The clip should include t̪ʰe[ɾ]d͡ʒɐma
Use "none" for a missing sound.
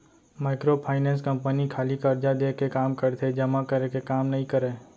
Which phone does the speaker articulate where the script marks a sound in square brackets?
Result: none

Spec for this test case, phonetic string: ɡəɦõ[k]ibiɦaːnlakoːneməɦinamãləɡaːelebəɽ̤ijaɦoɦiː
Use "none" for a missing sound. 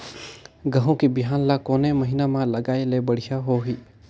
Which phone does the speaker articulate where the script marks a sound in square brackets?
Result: k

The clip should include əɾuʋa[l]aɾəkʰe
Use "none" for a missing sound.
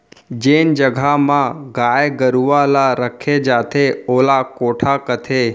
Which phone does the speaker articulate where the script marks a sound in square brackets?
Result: l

